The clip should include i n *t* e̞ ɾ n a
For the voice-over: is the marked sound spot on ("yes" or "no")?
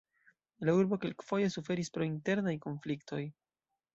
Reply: yes